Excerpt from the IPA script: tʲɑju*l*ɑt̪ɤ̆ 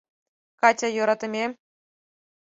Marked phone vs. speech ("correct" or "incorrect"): incorrect